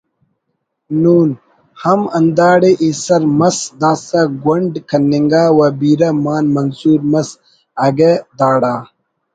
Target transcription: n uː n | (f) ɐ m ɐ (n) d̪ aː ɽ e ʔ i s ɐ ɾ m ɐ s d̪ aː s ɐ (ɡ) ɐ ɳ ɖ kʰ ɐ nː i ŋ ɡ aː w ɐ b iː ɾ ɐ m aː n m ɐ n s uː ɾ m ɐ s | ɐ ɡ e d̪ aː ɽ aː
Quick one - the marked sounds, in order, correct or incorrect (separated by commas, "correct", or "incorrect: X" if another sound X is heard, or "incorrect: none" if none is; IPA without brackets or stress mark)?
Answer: incorrect: h, correct, correct